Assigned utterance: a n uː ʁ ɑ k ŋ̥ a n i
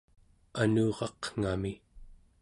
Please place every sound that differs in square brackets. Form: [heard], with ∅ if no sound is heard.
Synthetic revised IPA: a n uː ʁ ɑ [q] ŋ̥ a [m] i